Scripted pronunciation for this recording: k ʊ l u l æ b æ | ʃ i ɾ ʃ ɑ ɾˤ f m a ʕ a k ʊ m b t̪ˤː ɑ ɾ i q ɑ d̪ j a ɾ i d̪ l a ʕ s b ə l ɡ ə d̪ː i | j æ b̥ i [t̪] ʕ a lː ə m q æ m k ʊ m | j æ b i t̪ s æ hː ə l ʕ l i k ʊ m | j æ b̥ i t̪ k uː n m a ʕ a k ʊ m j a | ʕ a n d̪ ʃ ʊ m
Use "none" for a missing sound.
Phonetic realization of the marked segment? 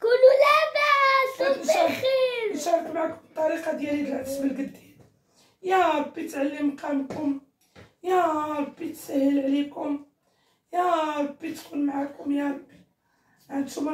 t̪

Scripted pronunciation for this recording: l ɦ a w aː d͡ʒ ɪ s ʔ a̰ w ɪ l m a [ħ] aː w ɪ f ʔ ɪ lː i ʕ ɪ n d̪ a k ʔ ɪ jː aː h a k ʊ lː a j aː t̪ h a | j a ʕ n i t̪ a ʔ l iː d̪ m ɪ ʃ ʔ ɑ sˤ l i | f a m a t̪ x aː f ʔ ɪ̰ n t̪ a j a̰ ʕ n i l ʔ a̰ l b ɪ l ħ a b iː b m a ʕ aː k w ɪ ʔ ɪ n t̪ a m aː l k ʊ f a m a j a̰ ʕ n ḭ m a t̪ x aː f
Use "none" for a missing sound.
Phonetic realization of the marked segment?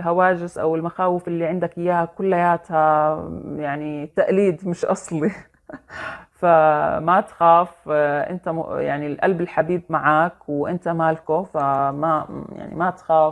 x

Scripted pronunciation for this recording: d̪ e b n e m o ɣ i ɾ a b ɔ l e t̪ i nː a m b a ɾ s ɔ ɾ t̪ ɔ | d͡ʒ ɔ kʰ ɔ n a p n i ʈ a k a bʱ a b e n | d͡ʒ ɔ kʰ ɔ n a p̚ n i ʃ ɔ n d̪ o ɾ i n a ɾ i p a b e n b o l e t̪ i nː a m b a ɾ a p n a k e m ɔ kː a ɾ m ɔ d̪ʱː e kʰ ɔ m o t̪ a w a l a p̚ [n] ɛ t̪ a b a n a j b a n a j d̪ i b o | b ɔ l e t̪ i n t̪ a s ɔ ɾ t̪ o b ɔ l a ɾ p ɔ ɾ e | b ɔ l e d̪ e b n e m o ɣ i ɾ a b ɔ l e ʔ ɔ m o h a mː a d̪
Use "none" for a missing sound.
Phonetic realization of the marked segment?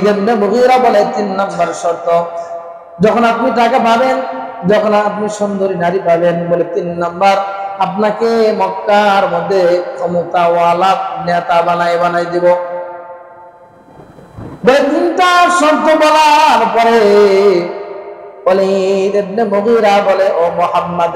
n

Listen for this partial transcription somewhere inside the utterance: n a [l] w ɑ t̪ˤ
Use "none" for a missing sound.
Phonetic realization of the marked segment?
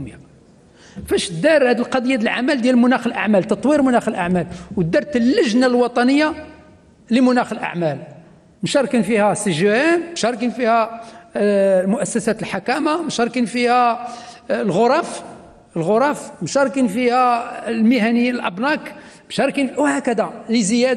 l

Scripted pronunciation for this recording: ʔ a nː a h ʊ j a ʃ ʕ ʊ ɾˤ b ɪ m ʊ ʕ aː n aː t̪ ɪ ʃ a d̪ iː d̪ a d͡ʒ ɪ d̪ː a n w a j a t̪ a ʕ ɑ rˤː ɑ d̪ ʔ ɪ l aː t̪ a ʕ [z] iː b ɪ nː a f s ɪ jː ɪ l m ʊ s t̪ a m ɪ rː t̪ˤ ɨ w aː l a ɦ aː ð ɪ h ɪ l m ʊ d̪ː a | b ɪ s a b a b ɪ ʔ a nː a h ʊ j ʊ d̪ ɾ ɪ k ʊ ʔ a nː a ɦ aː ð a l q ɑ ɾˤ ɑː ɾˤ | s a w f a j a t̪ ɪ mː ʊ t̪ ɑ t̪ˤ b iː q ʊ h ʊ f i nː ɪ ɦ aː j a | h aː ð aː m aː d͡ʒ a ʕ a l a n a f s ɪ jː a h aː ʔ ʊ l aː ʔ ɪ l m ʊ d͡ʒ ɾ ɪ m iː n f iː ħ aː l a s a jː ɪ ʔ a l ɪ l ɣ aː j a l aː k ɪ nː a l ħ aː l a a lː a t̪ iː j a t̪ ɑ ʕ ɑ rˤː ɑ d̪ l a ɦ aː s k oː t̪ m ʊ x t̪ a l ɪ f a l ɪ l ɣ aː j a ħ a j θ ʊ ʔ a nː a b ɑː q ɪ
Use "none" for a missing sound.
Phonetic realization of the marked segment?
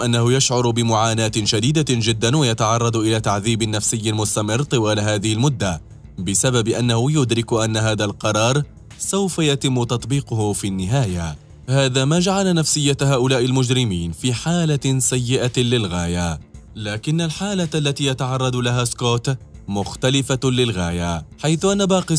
ð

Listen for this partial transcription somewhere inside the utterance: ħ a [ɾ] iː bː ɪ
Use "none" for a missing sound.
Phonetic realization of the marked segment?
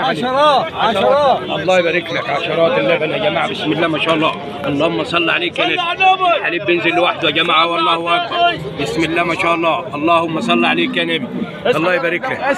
l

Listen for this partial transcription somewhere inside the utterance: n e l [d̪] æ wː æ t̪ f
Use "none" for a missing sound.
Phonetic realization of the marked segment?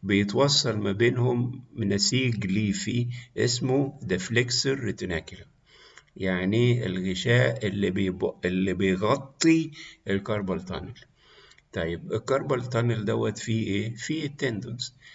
d̪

